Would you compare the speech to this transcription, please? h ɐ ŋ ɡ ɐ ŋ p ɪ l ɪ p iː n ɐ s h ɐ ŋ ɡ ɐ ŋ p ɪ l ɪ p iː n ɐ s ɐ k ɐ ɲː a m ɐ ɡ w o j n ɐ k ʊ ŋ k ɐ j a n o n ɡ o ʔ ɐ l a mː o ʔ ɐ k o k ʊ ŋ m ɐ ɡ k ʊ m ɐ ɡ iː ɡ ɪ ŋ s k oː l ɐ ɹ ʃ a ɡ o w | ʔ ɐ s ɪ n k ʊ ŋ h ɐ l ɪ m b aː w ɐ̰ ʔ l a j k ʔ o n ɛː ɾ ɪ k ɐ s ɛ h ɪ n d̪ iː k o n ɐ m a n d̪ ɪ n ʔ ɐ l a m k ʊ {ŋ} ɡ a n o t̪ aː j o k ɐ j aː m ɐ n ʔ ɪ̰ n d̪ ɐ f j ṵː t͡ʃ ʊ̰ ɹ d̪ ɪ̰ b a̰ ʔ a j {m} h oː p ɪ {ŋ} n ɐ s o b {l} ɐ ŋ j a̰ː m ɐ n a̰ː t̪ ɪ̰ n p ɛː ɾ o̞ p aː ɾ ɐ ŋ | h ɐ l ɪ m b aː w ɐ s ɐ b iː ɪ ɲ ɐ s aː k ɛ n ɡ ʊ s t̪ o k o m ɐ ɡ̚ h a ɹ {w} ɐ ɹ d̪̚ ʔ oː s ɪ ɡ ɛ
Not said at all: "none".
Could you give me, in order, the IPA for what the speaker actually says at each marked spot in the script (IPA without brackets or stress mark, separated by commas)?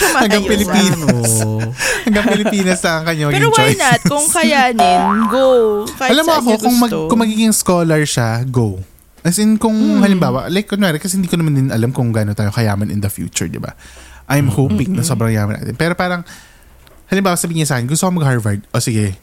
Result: ŋ, m, ŋ, ɾ, v